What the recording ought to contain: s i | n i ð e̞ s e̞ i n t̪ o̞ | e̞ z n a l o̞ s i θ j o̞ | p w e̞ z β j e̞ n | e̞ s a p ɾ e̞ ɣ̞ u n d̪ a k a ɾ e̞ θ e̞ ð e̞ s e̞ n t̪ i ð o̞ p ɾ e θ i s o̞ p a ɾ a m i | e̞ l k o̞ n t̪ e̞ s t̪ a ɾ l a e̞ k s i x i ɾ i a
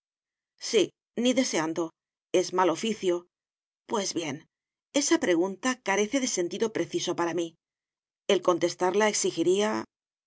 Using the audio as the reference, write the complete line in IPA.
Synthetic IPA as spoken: s i | n i ð e̞ s e̞ a n d̪ o̞ | e̞ z m a l o̞ f i θ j o̞ | p w e̞ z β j e̞ n | e̞ s a p ɾ e̞ ɣ̞ u n t̪ a k a ɾ e̞ θ e̞ ð e̞ s e̞ n t̪ i ð o̞ p ɾ e θ i s o̞ p a ɾ a m i | e̞ l k o̞ n t̪ e̞ s t̪ a ɾ l a e̞ k s i x i ɾ i a